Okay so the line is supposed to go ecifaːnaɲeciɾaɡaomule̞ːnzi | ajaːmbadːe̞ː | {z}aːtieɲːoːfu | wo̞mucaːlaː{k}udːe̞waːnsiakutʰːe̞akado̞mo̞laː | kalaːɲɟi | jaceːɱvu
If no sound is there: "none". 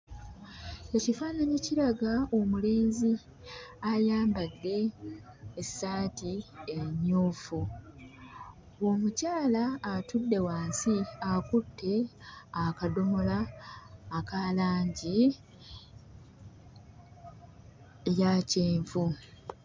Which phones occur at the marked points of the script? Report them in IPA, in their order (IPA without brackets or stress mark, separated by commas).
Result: s, t